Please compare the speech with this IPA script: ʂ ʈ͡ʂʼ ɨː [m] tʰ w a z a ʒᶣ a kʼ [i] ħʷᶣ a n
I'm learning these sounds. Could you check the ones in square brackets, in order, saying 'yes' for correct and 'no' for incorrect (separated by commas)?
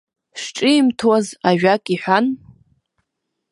yes, yes